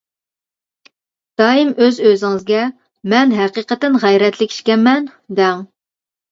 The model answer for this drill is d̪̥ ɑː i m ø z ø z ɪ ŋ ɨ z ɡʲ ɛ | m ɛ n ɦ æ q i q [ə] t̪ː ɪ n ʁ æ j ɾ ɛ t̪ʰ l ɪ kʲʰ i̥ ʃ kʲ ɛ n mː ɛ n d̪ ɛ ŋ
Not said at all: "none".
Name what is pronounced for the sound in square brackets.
ə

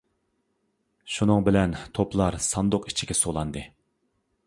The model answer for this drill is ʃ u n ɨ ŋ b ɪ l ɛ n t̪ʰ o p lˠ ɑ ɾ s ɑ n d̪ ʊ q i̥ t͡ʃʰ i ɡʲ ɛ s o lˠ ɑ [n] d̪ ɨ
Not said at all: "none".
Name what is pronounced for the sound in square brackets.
n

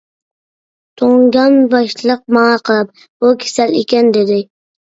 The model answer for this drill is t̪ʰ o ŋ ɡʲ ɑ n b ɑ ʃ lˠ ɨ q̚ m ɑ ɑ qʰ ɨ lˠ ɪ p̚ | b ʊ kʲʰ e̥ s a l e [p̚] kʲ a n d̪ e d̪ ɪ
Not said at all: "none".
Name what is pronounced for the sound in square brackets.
none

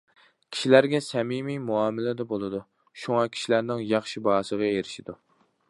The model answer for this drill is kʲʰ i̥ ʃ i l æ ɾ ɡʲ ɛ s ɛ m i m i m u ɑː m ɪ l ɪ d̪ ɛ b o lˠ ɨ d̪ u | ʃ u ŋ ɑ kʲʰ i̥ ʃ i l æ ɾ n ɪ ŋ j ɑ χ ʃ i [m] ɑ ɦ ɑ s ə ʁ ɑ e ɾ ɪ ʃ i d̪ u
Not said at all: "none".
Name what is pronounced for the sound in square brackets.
b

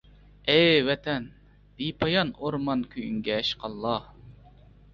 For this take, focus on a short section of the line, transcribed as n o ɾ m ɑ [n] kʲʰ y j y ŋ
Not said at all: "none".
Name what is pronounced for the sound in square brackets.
n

